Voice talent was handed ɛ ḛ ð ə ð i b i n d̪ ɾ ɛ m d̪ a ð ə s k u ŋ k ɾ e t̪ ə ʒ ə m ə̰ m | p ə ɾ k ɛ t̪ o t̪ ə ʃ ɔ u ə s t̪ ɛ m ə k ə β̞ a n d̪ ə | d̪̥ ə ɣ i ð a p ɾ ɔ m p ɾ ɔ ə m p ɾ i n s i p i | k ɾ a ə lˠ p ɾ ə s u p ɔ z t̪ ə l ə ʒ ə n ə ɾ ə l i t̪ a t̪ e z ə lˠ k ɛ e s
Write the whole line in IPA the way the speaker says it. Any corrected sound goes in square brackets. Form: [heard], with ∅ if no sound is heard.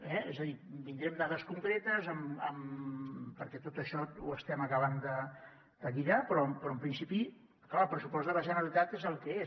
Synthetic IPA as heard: ɛ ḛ [z] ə ð i b i n d̪ ɾ ɛ m d̪ a ð ə s k u ŋ k ɾ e t̪ ə [z] ə m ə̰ m | p ə ɾ k ɛ t̪ o t̪ ə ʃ ɔ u ə s t̪ ɛ m ə k ə β̞ a n d̪ ə | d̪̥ ə ɣ i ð a p ɾ ɔ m p ɾ ɔ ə m p ɾ i n s i p i | k [l] a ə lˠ p ɾ ə s u p ɔ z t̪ ə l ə ʒ ə n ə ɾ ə l i t̪ a t̪ e z ə lˠ k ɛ e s